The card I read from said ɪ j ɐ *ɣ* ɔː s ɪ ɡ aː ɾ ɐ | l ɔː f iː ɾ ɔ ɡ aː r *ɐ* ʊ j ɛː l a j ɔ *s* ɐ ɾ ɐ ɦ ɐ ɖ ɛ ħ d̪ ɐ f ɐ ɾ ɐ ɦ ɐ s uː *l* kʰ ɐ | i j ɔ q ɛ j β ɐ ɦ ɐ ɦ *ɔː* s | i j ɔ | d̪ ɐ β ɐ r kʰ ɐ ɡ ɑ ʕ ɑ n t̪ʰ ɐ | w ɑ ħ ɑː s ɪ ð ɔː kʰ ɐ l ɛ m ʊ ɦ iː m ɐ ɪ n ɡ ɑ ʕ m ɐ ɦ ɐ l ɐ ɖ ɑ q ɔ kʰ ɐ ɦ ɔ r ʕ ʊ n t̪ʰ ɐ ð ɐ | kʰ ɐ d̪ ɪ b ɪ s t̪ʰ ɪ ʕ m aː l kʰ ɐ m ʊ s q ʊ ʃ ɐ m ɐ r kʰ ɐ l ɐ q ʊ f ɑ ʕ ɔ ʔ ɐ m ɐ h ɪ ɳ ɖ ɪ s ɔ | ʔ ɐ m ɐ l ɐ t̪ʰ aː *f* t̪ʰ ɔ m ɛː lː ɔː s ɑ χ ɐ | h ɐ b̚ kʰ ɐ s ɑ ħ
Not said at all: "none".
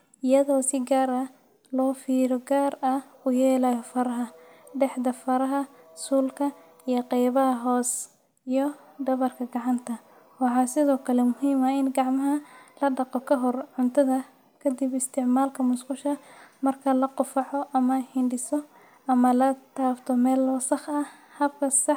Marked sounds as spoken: ð, ɐ, f, l, ɔː, f

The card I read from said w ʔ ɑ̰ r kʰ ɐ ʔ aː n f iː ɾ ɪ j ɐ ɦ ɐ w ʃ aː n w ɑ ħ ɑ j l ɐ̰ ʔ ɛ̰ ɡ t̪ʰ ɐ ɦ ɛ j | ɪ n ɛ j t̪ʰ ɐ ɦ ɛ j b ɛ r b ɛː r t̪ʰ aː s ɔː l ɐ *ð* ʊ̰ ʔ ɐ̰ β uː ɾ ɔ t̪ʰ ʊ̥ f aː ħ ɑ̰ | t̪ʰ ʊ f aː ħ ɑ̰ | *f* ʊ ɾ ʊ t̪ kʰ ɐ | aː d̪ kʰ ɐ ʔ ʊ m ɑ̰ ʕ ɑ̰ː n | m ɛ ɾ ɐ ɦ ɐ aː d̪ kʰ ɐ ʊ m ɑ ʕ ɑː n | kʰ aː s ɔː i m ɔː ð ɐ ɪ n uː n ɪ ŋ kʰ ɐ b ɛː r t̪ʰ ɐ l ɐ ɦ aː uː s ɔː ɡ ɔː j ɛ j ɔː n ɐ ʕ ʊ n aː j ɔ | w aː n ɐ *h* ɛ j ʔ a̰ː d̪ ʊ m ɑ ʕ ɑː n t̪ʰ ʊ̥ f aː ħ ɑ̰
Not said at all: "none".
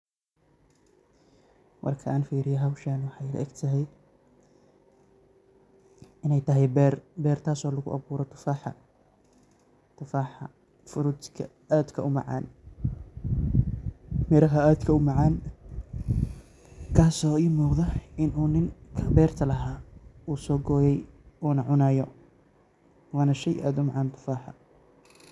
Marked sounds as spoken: ɣ, f, ʃ

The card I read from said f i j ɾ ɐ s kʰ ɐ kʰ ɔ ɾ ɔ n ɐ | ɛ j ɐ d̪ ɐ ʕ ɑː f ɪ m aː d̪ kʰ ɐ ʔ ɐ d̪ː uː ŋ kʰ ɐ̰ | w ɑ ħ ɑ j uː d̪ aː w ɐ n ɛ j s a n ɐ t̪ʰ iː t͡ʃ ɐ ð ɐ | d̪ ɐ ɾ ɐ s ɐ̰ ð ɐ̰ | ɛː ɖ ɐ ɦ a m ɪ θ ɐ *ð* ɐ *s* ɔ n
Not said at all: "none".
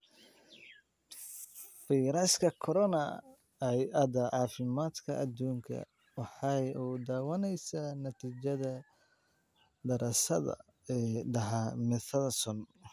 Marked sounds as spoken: ð, s

